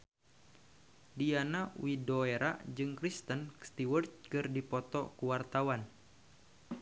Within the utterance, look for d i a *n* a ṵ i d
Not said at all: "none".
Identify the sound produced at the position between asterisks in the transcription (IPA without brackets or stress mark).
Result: n